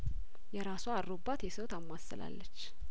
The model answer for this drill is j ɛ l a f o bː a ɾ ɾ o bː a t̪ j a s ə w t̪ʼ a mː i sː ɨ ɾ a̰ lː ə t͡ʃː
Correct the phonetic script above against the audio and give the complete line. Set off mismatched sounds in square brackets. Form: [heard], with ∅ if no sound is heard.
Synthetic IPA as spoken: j ɛ [ɾ] a [s] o [∅] a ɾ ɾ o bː a t̪ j [ɛ] s ə w [t̪] a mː [a] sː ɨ [l] a̰ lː ə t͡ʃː